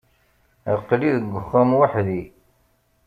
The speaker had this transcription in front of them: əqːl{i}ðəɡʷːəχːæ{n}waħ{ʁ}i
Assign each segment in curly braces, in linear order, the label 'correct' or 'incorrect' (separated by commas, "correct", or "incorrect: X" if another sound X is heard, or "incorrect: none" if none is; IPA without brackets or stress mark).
correct, incorrect: m, incorrect: ð